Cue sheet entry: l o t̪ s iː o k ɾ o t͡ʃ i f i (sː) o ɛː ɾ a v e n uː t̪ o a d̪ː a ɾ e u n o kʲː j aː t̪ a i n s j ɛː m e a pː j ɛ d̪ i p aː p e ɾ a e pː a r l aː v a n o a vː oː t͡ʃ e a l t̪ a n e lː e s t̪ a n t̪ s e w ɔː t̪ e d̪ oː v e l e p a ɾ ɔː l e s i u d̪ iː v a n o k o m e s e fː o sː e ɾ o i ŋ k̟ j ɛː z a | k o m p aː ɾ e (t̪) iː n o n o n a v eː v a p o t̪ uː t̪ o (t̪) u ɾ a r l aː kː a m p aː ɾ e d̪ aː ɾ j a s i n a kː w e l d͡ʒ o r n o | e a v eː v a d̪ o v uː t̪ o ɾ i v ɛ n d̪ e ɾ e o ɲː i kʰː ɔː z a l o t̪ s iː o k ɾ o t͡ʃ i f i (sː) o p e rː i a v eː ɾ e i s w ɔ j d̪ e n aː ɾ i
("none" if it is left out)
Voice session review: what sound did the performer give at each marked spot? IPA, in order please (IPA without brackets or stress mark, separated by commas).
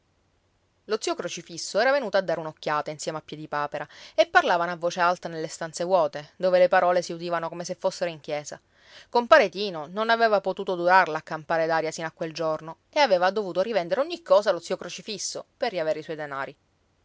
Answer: sː, t̪, d̪, sː